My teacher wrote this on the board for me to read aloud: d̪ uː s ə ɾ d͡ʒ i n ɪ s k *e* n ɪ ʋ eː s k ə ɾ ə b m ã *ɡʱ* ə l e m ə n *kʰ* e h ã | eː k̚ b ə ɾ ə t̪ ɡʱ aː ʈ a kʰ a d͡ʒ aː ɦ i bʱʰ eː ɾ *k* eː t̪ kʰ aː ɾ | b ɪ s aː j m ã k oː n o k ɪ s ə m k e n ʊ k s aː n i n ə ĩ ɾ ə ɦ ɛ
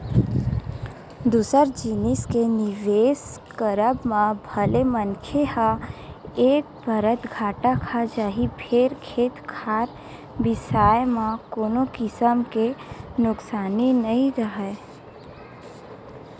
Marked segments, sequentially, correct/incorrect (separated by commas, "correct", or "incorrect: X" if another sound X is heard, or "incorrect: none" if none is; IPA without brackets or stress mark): correct, incorrect: bʱ, correct, incorrect: kʰ